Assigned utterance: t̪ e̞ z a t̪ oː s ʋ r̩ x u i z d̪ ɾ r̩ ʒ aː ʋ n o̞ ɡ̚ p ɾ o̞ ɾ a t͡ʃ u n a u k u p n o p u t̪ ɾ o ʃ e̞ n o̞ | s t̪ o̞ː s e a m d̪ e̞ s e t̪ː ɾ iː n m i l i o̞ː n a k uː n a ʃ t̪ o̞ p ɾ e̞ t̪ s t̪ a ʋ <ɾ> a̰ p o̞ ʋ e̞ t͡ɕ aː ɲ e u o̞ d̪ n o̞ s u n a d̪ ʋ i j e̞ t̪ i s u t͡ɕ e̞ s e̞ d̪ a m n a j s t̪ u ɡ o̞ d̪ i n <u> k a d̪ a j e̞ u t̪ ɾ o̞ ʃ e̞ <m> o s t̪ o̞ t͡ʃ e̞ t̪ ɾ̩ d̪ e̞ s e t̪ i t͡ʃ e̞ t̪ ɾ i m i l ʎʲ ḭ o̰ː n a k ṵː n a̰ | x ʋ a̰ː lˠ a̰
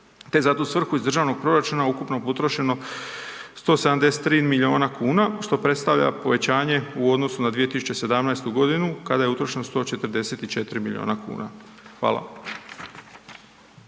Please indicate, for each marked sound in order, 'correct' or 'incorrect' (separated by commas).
incorrect, correct, incorrect